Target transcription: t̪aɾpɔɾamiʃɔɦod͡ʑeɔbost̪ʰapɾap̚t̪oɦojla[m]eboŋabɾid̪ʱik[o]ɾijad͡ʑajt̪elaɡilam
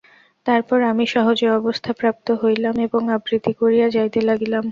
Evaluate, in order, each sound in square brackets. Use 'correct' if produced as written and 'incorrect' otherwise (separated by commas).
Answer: correct, correct